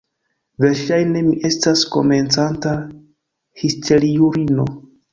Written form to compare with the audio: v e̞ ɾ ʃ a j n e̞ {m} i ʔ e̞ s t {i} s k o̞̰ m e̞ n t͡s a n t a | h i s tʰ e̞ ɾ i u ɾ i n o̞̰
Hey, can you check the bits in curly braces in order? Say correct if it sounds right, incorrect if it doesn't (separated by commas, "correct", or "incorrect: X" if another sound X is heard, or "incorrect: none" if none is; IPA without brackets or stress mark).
correct, incorrect: a